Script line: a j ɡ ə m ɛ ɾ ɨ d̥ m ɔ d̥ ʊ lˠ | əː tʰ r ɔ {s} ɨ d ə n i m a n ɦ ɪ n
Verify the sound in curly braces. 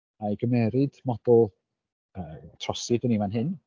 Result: correct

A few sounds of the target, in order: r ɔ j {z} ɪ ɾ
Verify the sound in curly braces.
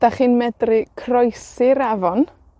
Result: incorrect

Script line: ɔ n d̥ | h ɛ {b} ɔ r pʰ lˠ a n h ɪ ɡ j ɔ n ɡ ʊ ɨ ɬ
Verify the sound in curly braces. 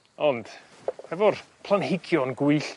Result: incorrect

